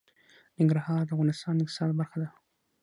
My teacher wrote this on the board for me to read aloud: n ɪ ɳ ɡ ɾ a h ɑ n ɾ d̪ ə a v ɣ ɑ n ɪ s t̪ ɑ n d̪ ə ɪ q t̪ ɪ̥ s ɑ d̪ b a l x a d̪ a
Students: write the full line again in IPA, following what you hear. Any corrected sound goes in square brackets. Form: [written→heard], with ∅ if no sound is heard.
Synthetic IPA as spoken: n ɪ [ɳ→ŋ] ɡ ɾ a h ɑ [n→∅] ɾ d̪ ə a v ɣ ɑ n ɪ s t̪ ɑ n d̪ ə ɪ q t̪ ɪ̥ s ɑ d̪ b a [l→ɾ] x a d̪ a